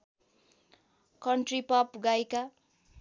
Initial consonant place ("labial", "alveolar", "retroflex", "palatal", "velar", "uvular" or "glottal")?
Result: velar